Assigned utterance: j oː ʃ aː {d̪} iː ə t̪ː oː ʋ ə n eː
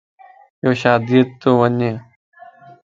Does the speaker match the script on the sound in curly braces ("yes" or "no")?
yes